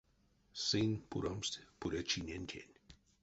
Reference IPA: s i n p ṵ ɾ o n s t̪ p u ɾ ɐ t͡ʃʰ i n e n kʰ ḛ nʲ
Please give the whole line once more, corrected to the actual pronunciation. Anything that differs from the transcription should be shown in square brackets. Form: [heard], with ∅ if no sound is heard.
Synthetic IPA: s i n p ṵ ɾ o [m] s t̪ p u ɾ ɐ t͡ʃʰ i n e n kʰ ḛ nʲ

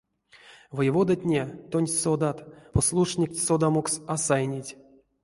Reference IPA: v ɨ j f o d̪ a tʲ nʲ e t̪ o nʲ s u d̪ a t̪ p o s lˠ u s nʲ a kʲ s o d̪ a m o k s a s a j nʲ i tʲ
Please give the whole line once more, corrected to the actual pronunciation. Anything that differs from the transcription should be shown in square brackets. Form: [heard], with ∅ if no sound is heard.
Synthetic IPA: v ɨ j [v] o d̪ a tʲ nʲ e t̪ o nʲ s [o] d̪ a t̪ p o s lˠ u [ʂ] nʲ [i] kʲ s o d̪ a m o k s a s a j nʲ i tʲ

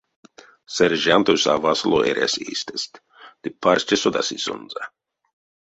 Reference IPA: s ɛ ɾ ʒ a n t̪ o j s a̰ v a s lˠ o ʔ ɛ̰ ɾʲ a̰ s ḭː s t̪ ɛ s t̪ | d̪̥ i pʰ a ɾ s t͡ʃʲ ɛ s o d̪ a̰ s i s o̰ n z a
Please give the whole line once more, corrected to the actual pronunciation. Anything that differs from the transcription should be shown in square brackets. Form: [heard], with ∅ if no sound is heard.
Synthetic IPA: s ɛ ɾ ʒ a n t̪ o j s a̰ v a s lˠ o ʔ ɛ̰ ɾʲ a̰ s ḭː s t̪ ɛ s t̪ | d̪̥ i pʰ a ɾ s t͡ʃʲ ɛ s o d̪ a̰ s i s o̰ n z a

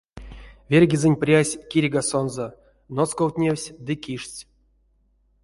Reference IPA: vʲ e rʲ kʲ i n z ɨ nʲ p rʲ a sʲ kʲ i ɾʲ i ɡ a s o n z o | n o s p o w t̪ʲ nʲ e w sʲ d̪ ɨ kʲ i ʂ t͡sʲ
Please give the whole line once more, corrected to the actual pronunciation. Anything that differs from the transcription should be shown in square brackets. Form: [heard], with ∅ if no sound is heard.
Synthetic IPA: vʲ e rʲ [ɡʲ] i [∅] z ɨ nʲ p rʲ a sʲ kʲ i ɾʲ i ɡ a s o n z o | n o s [k] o w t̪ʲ nʲ e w sʲ d̪ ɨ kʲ i ʂ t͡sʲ

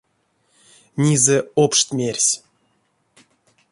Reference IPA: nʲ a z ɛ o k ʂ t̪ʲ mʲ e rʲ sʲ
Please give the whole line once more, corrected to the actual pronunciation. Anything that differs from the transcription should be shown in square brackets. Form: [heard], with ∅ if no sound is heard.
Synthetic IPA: nʲ [i] z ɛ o [p] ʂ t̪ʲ mʲ e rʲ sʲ

